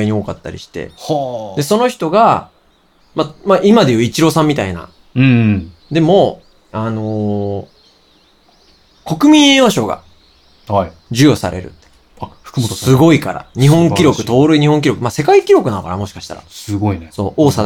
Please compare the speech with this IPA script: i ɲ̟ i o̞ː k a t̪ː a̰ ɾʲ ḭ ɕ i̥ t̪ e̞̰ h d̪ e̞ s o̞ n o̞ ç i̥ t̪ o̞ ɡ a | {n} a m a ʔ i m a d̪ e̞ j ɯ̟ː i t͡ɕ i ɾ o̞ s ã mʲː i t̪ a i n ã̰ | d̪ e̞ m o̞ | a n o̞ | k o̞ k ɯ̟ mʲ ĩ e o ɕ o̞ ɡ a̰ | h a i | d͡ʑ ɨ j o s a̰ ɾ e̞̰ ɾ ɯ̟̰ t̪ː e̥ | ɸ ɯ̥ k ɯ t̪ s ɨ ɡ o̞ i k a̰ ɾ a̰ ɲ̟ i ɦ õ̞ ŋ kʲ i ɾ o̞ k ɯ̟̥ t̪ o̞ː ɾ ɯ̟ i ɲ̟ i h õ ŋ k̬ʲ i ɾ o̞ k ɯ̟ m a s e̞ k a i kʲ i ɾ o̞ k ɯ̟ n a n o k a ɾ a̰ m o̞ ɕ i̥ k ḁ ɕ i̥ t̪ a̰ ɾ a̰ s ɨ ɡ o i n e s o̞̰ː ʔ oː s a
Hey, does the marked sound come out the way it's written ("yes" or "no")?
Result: no